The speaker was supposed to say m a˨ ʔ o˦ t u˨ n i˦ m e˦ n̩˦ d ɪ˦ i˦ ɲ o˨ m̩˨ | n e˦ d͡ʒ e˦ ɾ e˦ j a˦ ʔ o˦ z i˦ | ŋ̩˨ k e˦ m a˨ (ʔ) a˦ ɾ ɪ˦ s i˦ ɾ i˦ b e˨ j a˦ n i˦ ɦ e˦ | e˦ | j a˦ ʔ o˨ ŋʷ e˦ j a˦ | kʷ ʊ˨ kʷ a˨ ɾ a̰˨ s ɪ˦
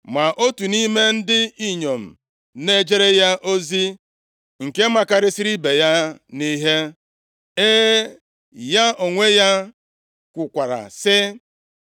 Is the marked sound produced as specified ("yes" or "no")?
no